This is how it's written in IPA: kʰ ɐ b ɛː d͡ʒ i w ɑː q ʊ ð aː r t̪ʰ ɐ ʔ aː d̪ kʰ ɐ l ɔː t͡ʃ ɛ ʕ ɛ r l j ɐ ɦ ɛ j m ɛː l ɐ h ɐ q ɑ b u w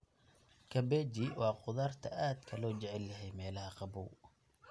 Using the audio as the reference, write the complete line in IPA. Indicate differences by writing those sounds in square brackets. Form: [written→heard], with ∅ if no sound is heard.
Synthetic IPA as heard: kʰ ɐ b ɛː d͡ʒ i w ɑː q ʊ ð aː r t̪ʰ ɐ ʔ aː d̪ kʰ ɐ l ɔː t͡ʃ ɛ ʕ ɛ [r→∅] l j ɐ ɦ ɛ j m ɛː l ɐ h ɐ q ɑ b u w

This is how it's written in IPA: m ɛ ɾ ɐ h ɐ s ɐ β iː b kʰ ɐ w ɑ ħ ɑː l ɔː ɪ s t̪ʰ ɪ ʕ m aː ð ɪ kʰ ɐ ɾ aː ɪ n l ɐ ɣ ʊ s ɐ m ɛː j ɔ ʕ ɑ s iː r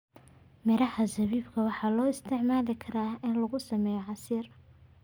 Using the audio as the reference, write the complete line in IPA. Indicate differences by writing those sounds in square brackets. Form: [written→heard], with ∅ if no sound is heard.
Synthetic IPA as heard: m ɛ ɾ ɐ h ɐ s ɐ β iː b kʰ ɐ w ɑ ħ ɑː l ɔː ɪ s t̪ʰ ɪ ʕ m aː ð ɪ kʰ ɐ ɾ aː ɪ n l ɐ ɣ ʊ s ɐ m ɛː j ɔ ʕ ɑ s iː r

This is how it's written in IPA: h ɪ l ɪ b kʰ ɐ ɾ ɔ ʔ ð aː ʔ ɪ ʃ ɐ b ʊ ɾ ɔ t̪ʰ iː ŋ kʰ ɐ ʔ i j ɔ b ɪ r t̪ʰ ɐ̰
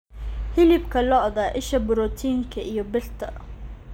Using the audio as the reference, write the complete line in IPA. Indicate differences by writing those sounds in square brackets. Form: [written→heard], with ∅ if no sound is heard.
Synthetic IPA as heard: h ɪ l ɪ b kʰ ɐ [ɾ→l] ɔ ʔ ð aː ʔ ɪ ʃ ɐ b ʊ ɾ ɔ t̪ʰ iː ŋ kʰ ɐ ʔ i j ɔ b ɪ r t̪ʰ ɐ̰

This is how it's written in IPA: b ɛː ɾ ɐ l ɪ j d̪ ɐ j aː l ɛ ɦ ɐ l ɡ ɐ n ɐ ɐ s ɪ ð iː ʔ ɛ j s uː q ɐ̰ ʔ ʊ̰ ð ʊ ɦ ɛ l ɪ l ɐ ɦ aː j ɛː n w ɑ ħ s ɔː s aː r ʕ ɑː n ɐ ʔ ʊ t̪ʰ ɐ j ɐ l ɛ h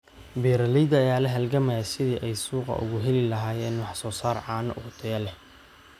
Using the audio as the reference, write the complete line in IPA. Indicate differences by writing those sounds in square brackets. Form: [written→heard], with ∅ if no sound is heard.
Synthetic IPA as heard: b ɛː ɾ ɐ l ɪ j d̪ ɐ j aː l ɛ ɦ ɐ l ɡ ɐ [n→m] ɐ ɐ s ɪ ð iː ʔ ɛ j s uː q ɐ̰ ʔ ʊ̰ [ð→ɣ] ʊ ɦ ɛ l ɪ l ɐ ɦ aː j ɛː n w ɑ ħ s ɔː s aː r ʕ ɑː n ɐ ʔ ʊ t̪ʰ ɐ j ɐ l ɛ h

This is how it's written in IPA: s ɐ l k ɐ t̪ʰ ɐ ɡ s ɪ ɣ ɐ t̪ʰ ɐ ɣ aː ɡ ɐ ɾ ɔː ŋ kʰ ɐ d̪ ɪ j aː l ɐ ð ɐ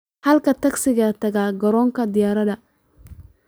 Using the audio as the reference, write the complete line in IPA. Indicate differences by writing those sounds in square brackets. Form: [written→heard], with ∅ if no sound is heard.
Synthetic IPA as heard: [s→h] ɐ l k ɐ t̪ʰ ɐ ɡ s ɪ ɣ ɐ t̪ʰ ɐ ɣ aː ɡ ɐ ɾ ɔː ŋ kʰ ɐ d̪ ɪ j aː [l→ɾ] ɐ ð ɐ

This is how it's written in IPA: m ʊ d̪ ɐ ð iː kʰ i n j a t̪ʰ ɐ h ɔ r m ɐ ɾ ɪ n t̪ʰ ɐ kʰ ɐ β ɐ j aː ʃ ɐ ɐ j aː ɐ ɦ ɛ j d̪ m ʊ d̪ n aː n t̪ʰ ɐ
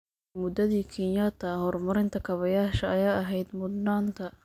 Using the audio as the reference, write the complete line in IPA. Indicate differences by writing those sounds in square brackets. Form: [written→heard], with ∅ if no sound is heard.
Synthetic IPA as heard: m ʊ d̪ ɐ ð iː kʰ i n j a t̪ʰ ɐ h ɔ r m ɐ ɾ ɪ n t̪ʰ ɐ kʰ ɐ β ɐ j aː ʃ ɐ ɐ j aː ɐ ɦ ɛ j d̪ m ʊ d̪ n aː n t̪ʰ ɐ

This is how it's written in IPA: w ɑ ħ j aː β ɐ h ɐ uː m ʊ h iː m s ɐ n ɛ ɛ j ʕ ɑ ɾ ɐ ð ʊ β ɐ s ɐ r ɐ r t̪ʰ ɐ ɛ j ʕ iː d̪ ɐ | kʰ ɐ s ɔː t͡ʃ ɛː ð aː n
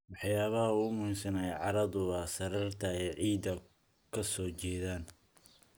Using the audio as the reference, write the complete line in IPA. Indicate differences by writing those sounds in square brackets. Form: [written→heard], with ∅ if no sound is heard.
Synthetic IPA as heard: w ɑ ħ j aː β ɐ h ɐ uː m ʊ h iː m s ɐ n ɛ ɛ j ʕ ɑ ɾ ɐ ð ʊ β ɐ s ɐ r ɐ r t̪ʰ ɐ ɛ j ʕ iː d̪ ɐ | kʰ ɐ s ɔː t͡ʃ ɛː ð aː n

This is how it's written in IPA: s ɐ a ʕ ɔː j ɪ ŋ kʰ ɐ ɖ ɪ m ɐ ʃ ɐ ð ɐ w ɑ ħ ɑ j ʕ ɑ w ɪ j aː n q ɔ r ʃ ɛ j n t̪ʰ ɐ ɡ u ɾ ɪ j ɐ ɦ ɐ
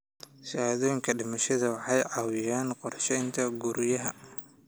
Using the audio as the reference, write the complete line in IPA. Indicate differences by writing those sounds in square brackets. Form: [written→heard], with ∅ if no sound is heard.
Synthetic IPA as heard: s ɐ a [ʕ→ð] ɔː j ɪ ŋ kʰ ɐ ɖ ɪ m ɐ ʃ ɐ ð ɐ w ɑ ħ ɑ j ʕ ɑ w ɪ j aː n q ɔ r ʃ ɛ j n t̪ʰ ɐ ɡ u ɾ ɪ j ɐ ɦ ɐ

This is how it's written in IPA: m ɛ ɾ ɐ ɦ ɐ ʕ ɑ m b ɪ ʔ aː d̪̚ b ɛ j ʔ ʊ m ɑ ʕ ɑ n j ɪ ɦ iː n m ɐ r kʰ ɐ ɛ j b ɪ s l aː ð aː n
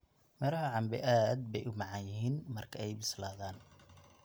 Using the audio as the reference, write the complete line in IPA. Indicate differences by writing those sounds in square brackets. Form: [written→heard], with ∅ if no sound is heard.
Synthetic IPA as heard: m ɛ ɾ ɐ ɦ ɐ ʕ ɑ m b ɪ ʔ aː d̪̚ b ɛ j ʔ ʊ m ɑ ʕ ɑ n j ɪ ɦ iː n m ɐ r kʰ ɐ ɛ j b ɪ s l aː ð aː n

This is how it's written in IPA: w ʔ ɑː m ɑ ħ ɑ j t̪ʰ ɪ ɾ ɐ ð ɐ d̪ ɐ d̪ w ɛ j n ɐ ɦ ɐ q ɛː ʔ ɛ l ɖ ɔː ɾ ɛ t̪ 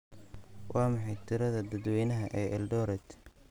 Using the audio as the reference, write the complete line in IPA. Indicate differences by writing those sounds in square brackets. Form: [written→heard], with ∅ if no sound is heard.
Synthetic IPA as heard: w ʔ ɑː m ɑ ħ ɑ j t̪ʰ ɪ ɾ ɐ ð ɐ d̪ ɐ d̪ w ɛ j n ɐ ɦ ɐ [q→ʔ] ɛː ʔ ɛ l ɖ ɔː ɾ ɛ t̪

